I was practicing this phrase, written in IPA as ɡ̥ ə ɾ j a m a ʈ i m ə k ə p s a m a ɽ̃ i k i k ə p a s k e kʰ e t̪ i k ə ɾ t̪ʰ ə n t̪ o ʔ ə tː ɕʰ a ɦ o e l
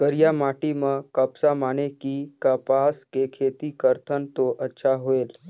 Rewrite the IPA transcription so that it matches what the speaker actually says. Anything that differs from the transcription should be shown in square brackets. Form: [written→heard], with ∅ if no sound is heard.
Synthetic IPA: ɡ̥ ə ɾ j a m a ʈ i m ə k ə p s a m a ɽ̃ [i→e] k i k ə p a s k e kʰ e t̪ i k ə ɾ t̪ʰ ə n t̪ o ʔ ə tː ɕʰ a ɦ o e l

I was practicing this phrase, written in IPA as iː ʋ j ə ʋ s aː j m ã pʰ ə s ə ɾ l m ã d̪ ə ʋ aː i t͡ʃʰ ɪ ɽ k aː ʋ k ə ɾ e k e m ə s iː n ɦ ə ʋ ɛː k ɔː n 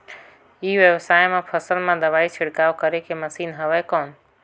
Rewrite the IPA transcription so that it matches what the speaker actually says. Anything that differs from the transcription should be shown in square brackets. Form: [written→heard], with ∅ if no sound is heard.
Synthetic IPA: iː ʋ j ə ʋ s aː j m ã pʰ ə s ə [ɾ→∅] l m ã d̪ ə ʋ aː i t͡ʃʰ ɪ ɽ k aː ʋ k ə ɾ e k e m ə s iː n ɦ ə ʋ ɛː k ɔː n

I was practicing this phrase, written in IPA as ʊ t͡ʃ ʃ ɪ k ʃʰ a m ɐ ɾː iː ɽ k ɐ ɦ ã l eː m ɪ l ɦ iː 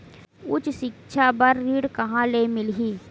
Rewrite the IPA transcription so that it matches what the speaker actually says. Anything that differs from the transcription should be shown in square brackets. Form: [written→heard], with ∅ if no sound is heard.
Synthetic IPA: ʊ t͡ʃ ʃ ɪ k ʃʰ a [m→b] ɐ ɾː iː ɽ k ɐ ɦ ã l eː m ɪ l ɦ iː

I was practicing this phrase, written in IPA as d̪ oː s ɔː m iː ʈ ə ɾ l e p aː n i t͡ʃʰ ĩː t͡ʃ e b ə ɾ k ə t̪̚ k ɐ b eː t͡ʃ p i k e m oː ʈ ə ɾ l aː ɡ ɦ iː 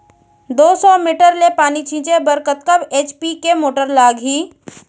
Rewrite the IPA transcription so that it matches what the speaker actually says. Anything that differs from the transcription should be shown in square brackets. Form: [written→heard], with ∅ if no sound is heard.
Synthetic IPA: d̪ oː s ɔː m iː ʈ ə ɾ l e p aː n i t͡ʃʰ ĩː t͡ʃ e b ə ɾ k ə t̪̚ k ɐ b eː t͡ʃ p i k e m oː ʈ ə ɾ l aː ɡ ɦ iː

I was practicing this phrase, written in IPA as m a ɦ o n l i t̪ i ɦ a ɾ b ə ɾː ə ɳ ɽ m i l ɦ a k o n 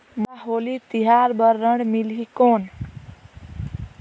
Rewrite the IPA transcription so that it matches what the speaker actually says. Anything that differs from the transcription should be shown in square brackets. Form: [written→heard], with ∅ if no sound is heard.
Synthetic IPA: m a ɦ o [n→∅] l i t̪ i ɦ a ɾ b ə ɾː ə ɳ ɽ m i l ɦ [a→i] k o n

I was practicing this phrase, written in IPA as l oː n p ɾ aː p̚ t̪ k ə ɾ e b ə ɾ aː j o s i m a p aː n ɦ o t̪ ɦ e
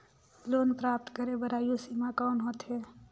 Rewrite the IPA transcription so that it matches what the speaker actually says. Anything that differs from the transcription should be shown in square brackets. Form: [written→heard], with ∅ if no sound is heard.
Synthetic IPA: l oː n p ɾ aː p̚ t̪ k ə ɾ e b ə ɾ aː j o s i m a [p→k] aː n ɦ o t̪ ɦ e

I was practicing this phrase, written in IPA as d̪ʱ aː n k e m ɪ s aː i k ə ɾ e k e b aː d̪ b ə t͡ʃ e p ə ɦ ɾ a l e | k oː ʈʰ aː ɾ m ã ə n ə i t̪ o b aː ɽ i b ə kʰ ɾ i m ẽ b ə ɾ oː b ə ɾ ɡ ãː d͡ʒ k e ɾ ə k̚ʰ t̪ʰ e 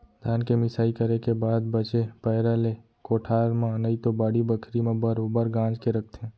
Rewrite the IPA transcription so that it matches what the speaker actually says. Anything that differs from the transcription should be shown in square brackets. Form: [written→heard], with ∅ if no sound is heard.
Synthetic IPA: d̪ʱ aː n k e m ɪ s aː i k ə ɾ e k e b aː d̪ b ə t͡ʃ e p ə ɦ ɾ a l e | k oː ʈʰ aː ɾ m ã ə n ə i t̪ o b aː ɽ i b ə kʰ ɾ i m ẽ b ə ɾ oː b ə ɾ ɡ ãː d͡ʒ k e ɾ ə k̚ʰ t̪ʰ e

